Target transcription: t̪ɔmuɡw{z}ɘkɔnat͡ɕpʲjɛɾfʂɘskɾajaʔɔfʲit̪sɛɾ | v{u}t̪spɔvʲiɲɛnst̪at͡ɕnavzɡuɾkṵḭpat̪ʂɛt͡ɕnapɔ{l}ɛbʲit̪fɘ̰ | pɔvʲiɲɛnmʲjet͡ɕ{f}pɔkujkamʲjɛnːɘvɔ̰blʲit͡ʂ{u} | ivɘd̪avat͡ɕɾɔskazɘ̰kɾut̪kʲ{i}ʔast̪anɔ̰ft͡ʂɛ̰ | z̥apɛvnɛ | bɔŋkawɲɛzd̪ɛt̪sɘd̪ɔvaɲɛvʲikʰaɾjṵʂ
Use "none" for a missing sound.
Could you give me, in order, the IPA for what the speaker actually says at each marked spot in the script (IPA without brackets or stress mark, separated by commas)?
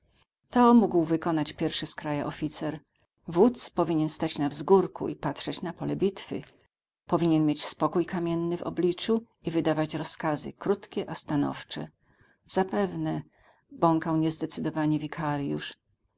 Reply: v, u, l, s, u, ɛ